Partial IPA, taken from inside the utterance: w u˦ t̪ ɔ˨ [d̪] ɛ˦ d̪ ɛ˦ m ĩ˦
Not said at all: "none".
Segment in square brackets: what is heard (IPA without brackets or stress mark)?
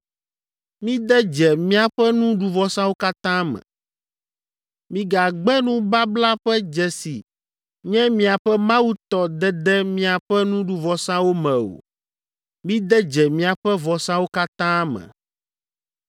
d̪